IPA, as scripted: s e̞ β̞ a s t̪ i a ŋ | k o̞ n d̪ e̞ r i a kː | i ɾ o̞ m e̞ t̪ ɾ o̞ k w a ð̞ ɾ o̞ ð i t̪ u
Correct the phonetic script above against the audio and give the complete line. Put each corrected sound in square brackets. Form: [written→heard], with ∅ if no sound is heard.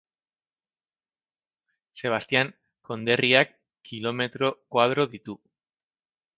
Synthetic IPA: s e̞ β̞ a s t̪ i a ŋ | k o̞ n d̪ e̞ r i a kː | i [ɾ→l] o̞ m e̞ t̪ ɾ o̞ k w a ð̞ ɾ o̞ ð i t̪ u